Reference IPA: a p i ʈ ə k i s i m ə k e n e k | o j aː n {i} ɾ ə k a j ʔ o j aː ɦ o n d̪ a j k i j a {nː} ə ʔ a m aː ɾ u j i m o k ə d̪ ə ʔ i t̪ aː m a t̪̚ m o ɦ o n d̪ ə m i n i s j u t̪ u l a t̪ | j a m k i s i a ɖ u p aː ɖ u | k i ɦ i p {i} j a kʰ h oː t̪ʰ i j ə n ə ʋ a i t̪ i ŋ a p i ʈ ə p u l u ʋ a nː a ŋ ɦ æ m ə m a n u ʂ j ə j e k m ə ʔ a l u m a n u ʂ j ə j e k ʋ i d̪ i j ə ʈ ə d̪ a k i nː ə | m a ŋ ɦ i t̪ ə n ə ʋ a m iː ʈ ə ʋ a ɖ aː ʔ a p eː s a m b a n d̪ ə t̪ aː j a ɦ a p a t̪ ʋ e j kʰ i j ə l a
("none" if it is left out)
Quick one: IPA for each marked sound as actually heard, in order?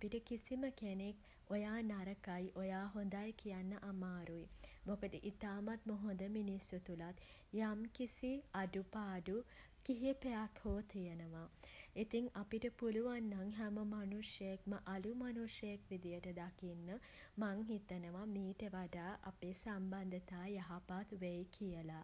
a, nː, e

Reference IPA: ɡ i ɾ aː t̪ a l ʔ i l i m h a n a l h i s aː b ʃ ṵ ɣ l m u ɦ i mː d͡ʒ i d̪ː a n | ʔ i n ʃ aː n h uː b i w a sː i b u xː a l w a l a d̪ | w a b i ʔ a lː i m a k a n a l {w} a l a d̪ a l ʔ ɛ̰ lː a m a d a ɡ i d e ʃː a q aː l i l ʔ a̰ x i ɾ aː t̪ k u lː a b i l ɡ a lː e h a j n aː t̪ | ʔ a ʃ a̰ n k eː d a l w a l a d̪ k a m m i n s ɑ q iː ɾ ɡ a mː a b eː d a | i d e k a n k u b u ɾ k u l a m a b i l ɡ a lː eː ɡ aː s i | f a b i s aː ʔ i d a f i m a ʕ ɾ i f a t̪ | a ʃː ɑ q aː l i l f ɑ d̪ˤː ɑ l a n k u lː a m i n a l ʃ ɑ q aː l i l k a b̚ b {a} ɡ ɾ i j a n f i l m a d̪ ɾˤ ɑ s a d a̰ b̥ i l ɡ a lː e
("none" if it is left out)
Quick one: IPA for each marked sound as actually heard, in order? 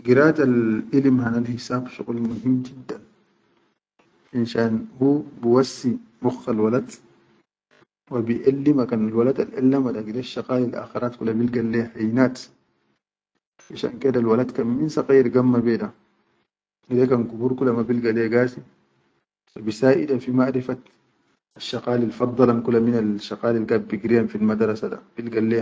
w, i

